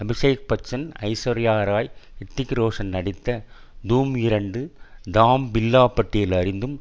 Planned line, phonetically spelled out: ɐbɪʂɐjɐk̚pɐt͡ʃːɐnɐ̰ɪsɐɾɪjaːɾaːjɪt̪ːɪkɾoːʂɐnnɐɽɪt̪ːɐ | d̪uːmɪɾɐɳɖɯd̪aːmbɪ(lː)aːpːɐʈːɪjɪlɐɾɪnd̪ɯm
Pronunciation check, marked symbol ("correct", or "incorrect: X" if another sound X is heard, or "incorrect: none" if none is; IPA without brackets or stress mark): correct